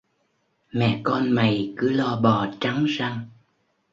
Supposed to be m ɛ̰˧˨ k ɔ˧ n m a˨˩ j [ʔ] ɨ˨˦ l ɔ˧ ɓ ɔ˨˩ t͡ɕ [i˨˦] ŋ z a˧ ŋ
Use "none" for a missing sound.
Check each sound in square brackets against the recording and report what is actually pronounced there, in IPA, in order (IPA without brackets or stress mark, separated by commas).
k, a˨˦